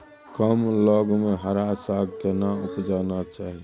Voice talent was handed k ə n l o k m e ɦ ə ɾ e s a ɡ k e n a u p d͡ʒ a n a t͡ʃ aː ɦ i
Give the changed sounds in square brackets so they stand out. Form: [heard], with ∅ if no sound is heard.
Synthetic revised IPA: k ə [m] l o [ɡ] m e ɦ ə ɾ [a] s a ɡ k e n a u p d͡ʒ a n a t͡ʃ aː ɦ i